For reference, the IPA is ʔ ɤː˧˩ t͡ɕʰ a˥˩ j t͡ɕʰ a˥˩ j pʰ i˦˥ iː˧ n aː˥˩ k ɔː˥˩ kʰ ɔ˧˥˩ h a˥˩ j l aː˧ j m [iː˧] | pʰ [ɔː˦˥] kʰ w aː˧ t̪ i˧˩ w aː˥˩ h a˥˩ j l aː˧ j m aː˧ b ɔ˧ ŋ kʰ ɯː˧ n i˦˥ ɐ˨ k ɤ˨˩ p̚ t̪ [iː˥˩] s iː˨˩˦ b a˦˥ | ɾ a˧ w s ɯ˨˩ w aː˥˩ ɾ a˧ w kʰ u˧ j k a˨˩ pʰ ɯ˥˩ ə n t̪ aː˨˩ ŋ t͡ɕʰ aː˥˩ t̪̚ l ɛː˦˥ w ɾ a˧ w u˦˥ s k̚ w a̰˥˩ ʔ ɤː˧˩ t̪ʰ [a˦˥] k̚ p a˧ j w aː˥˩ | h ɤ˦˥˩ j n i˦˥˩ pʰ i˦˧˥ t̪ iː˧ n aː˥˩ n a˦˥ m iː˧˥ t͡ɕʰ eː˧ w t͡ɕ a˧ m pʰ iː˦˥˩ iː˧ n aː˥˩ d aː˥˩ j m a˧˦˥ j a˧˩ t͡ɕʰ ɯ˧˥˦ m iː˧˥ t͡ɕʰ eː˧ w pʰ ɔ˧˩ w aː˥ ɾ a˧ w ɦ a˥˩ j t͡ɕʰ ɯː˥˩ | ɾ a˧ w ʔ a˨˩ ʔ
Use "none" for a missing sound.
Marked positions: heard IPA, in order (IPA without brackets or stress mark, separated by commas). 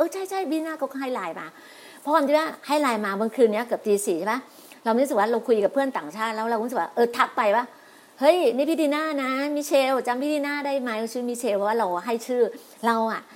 aː˧, ɔ˦˥, iː˧, a˦˥